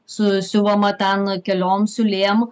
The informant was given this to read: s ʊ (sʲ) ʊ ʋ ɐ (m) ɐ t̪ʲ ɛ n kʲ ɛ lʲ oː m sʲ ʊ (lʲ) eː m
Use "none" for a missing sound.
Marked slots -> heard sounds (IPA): sʲ, m, lʲ

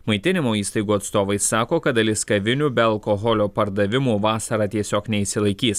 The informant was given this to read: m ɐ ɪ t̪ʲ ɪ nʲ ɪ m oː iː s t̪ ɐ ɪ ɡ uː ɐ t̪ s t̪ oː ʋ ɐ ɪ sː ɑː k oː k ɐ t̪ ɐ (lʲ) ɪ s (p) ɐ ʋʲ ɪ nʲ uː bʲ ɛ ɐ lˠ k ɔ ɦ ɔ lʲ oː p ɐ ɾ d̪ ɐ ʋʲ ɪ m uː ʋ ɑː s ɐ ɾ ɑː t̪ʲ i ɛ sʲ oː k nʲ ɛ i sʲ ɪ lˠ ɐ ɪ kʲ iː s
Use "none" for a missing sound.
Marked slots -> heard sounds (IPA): lʲ, k

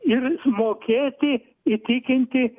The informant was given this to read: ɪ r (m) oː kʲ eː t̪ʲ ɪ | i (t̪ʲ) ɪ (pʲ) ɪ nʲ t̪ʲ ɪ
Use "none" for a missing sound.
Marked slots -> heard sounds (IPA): m, t̪ʲ, kʲ

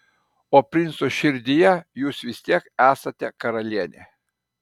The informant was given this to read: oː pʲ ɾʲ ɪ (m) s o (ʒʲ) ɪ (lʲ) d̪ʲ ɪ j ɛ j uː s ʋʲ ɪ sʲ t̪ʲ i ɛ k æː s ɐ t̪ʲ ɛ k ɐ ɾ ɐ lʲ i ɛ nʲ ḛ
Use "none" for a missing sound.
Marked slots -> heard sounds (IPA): n, ʃʲ, ɾʲ

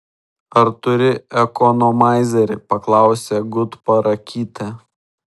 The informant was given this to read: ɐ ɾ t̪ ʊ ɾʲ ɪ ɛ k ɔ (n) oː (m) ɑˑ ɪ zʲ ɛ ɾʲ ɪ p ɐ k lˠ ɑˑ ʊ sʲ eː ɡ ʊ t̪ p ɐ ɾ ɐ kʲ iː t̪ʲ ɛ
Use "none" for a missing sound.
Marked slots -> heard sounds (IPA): n, m

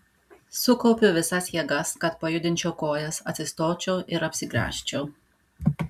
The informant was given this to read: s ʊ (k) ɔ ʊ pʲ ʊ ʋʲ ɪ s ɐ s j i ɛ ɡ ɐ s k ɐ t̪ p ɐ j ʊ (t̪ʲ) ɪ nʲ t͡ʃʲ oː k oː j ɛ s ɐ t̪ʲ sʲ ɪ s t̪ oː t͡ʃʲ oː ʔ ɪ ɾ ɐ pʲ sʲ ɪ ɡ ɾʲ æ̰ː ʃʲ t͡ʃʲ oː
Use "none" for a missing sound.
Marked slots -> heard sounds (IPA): k, d̪ʲ

